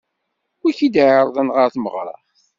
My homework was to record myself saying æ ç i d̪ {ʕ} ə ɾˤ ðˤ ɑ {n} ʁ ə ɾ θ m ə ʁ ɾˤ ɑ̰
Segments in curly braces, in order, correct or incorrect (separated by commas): correct, correct